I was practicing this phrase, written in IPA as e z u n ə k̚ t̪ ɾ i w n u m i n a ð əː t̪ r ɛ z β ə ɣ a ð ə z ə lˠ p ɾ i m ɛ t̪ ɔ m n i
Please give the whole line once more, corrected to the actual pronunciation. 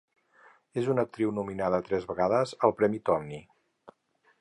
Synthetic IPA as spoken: e z u n ə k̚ t̪ ɾ i w n u m i n a ð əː t̪ ɾ ɛ z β ə ɣ a ð ə z ə lˠ p ɾ ɛ m i t̪ ɔ m n i